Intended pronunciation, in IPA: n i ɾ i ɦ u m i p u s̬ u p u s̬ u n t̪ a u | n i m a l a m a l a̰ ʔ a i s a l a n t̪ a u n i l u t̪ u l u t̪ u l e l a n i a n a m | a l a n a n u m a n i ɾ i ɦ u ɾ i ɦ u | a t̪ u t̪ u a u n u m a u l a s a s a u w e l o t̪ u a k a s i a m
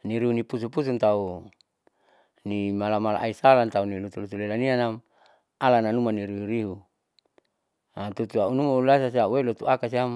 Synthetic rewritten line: n i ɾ i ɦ u n i p u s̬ u p u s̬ u n t̪ a u | n i m a l a m a l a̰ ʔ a i s a l a n t̪ a u n i l u t̪ u l u t̪ u l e l a n i a n a m | a l a n a n u m a n i ɾ i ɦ u ɾ i ɦ u | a t̪ u t̪ u a u n u m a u l a s a s a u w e l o t̪ u a k a s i a m

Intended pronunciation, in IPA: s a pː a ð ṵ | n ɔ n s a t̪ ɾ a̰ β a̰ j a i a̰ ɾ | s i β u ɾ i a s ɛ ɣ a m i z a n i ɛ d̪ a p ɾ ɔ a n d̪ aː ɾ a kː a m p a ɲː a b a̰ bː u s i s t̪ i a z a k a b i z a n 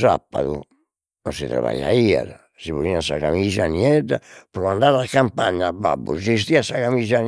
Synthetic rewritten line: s a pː a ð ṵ | n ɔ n s i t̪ ɾ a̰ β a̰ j a i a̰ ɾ | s i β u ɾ i a s a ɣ a m i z a n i ɛ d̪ a p ɾ ɔ a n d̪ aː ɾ a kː a m p a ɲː a b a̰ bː u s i s t̪ i a s a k a m i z a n

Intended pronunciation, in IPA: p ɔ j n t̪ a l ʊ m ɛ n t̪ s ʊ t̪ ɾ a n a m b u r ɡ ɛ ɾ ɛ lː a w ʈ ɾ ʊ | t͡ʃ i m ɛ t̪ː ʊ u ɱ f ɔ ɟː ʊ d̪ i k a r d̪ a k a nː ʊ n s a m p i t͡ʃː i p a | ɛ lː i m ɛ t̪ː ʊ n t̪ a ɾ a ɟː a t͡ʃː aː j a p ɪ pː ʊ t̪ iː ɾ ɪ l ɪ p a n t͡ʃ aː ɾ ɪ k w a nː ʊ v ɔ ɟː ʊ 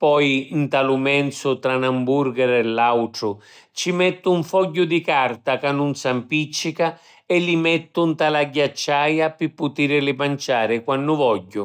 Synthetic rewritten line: p ɔ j n t̪ a l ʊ m ɛ n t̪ s ʊ t̪ ɾ a n a m b u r ɡ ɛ ɾ ɛ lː a w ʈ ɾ ʊ | t͡ʃ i m ɛ t̪ː ʊ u ɱ f ɔ ɟː ʊ d̪ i k a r t̪ a k a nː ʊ n s a m p i t͡ʃː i k a | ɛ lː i m ɛ t̪ː ʊ n t̪ a l a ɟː a t͡ʃː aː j a p ɪ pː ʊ t̪ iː ɾ ɪ l ɪ p a n t͡ʃ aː ɾ ɪ k w a nː ʊ v ɔ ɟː ʊ

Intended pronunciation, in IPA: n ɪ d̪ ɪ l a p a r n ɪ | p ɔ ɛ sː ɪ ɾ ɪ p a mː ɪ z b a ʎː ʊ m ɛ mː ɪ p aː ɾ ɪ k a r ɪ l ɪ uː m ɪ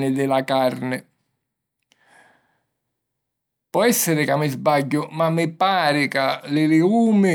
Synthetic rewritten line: n ɪ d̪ ɪ l a k a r n ɪ | p ɔ ɛ sː ɪ ɾ ɪ k a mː ɪ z b a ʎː ʊ m a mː ɪ p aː ɾ ɪ k a l ɪ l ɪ uː m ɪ

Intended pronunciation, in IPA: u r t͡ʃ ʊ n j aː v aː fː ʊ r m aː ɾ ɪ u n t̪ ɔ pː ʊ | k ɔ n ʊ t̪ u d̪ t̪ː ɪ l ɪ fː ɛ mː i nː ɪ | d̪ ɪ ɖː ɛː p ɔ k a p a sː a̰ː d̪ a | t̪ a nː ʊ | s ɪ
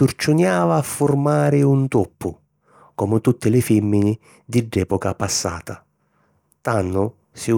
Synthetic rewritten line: u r t͡ʃ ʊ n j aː v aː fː ʊ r m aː ɾ ɪ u n t̪ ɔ pː ʊ | k ɔ m ʊ t̪ u t̪ː ɪ l ɪ f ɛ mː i n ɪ | d̪ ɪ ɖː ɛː p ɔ k a p a sː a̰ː t̪ a | t̪ a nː ʊ | s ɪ

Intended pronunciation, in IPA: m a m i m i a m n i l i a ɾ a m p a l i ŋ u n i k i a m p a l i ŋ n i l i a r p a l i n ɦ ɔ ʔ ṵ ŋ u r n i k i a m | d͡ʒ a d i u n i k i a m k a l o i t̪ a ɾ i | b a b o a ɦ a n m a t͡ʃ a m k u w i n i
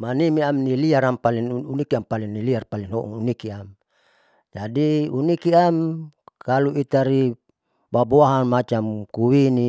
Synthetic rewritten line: m a n i m i a m n i l i a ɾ a m p a l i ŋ u n i k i a m p a l i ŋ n i l i a r p a l i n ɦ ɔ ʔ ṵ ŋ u n i k i a m | d͡ʒ a d i u n i k i a m k a l u i t̪ a ɾ i | b a b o a ɦ a n m a t͡ʃ a m k u w i n i

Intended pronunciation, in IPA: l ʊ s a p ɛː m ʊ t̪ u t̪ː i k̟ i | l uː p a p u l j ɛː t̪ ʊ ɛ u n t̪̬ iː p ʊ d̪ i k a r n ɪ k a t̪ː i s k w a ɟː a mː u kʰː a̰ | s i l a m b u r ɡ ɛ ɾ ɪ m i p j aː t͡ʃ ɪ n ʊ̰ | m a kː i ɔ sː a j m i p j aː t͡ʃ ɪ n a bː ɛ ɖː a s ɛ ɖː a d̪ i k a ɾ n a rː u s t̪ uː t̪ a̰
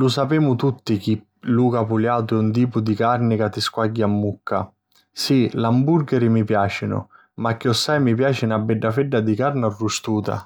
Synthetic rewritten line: l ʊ s a p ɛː m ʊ t̪ u t̪ː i k̟ i | l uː k a p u l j aː t̪ ʊ ɛ u n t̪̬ iː p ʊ d̪ i k a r n ɪ k a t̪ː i s k w a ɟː a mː u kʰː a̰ | s i l a m b u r ɡ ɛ ɾ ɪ m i p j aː t͡ʃ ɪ n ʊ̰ | m a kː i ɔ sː a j m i p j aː t͡ʃ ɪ n a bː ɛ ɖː a f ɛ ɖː a d̪ i k a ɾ n a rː u s t̪ uː t̪ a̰

